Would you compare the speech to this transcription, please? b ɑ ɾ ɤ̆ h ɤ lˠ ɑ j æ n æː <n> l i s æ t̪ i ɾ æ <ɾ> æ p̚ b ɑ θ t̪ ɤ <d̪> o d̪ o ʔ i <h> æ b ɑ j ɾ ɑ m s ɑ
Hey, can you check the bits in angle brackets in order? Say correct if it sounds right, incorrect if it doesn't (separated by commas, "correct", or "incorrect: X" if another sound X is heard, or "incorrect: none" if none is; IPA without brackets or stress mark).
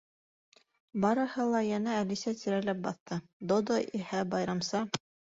incorrect: none, incorrect: l, correct, correct